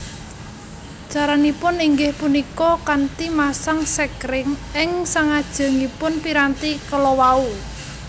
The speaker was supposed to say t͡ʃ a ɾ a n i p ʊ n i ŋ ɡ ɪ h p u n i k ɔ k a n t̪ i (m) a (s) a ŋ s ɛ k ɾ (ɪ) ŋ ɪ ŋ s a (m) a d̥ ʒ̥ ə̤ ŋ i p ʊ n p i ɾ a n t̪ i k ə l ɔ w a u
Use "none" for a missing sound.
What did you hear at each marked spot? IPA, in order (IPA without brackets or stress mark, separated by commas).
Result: m, s, ɪ, ŋ